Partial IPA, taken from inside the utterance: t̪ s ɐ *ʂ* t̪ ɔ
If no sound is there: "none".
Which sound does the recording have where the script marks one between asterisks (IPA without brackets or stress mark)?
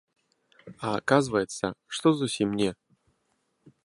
ʂ